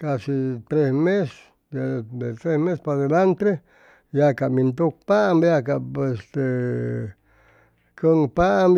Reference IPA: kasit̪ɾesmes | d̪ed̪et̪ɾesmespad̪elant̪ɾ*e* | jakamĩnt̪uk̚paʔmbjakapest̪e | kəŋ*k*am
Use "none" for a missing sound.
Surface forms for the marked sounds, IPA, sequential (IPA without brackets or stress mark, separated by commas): e, p